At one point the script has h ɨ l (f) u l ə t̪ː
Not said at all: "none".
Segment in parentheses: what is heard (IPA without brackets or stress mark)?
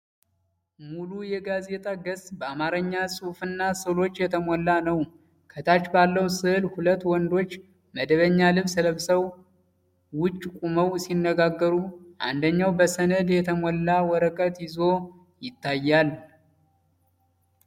h